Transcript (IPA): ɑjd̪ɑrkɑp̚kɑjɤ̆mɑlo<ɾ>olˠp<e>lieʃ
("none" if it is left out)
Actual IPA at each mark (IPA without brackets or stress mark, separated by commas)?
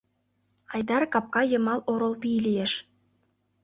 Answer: ɾ, i